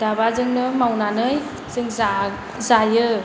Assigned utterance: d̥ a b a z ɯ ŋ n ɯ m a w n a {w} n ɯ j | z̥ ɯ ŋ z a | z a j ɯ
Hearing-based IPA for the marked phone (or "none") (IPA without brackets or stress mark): none